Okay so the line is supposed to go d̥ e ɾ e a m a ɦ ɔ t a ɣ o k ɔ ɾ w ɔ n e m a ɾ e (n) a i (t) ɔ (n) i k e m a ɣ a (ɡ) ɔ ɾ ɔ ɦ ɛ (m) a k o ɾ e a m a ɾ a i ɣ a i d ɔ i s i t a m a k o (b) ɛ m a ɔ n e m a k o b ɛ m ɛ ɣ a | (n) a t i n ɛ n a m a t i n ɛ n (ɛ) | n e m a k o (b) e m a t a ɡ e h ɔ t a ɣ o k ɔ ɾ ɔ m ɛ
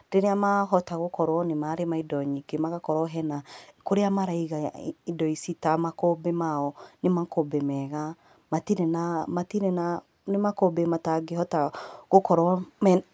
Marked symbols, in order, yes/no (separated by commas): no, no, no, no, no, yes, no, no, yes